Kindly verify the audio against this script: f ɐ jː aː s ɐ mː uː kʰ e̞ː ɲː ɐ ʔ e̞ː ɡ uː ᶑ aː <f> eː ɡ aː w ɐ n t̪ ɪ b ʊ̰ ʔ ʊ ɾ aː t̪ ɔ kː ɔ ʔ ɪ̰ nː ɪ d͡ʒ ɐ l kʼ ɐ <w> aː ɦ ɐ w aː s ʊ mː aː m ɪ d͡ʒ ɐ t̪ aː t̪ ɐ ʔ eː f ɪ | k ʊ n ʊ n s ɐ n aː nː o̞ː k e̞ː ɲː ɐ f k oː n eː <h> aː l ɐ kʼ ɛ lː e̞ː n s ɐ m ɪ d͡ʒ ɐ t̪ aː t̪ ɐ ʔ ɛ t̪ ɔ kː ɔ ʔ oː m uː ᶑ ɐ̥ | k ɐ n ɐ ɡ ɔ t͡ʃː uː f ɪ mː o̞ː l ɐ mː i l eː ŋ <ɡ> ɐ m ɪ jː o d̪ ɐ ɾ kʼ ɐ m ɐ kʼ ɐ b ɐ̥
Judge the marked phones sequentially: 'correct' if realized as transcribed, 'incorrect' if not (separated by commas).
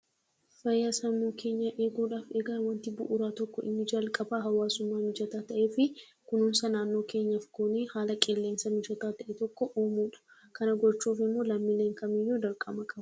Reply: correct, incorrect, correct, incorrect